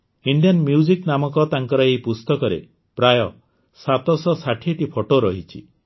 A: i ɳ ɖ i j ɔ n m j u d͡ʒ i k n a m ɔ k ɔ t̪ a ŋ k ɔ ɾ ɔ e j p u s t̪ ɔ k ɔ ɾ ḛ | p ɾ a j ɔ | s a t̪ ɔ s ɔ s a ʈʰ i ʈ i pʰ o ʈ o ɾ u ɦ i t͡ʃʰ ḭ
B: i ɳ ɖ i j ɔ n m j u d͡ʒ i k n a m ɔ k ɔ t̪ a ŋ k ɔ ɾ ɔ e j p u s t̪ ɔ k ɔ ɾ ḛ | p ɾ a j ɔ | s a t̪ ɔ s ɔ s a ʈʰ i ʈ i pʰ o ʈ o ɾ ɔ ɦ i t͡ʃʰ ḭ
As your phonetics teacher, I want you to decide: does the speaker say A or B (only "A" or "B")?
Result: B